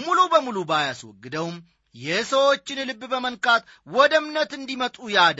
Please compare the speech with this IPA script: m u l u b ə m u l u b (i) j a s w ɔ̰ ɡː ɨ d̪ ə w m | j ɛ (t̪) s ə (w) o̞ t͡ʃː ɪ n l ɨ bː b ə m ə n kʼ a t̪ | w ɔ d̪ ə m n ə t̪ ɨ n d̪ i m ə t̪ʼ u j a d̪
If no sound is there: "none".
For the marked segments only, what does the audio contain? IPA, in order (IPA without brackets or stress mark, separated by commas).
a, none, w